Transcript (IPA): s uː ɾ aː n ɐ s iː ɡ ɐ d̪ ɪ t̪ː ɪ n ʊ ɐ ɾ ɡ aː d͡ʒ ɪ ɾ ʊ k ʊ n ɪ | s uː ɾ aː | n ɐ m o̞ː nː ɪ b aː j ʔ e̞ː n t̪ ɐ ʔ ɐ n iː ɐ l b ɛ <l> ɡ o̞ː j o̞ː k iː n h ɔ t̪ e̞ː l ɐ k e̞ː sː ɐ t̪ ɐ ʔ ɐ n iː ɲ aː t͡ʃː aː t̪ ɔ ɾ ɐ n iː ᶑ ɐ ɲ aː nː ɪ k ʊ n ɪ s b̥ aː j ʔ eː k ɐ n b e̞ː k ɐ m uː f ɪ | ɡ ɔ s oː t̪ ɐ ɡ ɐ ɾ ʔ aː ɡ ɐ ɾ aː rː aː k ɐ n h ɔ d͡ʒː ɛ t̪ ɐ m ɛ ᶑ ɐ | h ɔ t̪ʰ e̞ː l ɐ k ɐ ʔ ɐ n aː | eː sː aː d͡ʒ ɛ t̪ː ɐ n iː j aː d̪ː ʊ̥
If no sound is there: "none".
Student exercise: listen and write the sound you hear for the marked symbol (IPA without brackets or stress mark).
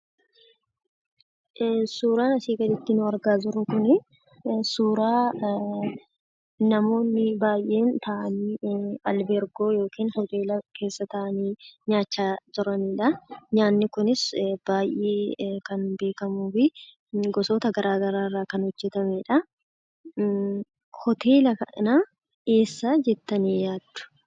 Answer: ɾ